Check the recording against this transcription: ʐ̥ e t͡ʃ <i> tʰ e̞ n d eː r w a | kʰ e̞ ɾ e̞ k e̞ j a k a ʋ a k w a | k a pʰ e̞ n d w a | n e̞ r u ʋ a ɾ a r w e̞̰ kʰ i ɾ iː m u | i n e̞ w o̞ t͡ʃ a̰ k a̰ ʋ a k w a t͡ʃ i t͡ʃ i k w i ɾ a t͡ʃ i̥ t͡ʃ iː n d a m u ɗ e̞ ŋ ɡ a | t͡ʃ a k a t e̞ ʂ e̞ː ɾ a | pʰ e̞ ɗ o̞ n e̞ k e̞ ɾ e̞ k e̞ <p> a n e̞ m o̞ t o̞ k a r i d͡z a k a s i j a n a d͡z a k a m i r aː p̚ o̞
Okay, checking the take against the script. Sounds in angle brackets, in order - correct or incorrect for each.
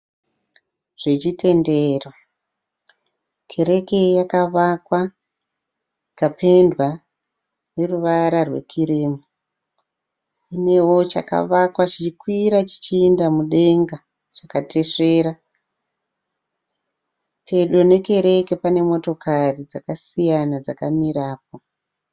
correct, correct

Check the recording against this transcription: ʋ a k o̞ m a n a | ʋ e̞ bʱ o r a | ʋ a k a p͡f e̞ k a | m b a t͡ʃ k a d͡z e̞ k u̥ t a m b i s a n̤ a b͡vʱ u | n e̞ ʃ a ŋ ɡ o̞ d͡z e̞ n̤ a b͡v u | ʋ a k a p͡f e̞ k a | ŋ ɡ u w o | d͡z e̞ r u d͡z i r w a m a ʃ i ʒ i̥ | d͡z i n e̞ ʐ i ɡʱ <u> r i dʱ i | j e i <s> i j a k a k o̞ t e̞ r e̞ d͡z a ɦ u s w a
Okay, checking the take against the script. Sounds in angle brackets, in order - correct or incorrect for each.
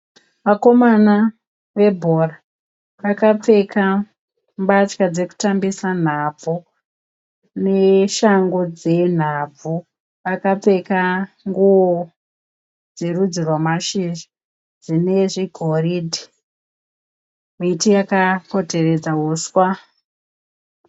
incorrect, incorrect

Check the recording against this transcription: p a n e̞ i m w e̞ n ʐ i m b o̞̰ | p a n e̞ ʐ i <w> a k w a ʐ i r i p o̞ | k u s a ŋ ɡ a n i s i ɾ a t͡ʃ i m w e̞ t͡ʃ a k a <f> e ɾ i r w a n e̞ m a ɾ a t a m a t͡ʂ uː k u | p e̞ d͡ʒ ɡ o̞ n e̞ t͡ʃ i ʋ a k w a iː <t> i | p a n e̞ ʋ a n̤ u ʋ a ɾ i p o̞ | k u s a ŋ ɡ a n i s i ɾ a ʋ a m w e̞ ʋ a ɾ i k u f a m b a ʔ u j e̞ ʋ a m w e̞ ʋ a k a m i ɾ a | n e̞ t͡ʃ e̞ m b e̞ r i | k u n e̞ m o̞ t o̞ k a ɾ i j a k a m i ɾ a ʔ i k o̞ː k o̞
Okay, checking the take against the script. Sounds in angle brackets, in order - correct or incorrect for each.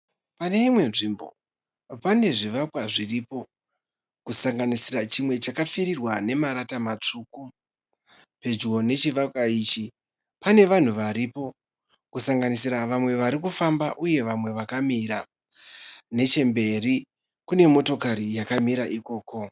incorrect, correct, incorrect

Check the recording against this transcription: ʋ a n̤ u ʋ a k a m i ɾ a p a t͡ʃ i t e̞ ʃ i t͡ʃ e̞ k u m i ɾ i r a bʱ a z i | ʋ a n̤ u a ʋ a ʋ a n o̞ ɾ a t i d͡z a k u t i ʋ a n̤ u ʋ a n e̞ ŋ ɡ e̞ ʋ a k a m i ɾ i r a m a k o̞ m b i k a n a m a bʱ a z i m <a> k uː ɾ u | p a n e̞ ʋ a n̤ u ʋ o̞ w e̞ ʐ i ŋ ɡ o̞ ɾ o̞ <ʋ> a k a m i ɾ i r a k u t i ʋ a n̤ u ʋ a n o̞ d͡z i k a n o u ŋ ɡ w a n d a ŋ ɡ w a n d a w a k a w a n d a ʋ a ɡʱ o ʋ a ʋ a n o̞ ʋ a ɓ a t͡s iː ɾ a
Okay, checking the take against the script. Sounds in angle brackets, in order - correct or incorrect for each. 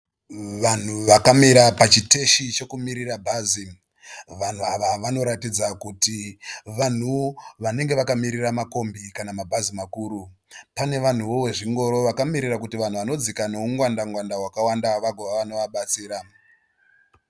correct, correct

